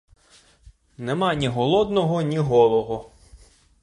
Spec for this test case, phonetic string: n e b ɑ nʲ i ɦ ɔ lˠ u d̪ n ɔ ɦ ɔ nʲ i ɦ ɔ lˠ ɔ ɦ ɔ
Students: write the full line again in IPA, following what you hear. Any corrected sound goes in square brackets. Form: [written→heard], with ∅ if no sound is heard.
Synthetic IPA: n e [b→m] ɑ nʲ i ɦ ɔ lˠ [u→ɔ] d̪ n ɔ ɦ ɔ nʲ i ɦ ɔ lˠ ɔ ɦ ɔ